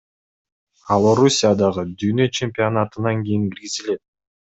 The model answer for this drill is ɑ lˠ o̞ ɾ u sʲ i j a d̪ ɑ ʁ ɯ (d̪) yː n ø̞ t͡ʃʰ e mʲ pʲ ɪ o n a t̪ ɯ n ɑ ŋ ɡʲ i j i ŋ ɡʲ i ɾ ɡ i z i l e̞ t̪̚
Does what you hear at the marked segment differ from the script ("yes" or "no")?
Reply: no